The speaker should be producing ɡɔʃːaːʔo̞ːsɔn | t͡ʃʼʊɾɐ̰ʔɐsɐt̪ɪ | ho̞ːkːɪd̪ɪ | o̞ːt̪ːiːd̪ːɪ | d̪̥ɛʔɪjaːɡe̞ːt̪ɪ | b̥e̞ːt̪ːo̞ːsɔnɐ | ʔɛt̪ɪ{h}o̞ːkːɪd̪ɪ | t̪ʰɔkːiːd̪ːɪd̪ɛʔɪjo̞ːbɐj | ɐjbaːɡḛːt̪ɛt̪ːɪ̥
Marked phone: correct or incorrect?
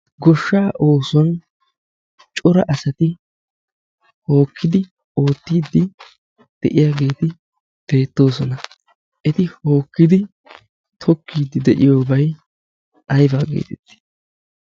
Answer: correct